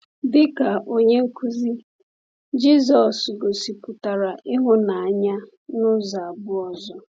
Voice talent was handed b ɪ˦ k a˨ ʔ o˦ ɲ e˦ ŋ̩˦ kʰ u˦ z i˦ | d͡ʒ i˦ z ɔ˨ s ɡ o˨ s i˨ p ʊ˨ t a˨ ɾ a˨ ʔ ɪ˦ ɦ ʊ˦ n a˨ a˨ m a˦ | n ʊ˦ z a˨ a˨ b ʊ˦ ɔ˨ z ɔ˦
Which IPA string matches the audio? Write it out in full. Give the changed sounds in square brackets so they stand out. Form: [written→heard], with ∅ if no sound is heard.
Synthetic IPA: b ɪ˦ k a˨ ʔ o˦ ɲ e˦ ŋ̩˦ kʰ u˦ z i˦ | d͡ʒ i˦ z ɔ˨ s ɡ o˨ s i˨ p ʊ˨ t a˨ ɾ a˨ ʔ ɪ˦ ɦ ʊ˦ n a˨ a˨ [m→ɲ] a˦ | n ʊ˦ z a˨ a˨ b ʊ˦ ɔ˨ z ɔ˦